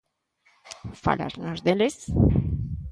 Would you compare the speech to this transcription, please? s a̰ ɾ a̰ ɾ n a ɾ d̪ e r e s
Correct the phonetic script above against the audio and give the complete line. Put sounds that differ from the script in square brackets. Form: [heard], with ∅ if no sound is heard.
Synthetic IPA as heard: [f] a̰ [l] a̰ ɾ n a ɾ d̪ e [l] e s